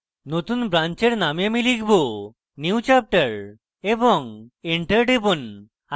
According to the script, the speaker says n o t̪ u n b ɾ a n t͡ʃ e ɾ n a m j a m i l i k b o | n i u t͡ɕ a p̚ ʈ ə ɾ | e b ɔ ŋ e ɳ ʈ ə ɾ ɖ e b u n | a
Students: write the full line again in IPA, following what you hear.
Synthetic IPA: n o t̪ u n b ɾ a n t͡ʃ e ɾ n a m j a m i l i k b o | n i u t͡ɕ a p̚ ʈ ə ɾ | e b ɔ ŋ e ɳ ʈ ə ɾ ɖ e b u n | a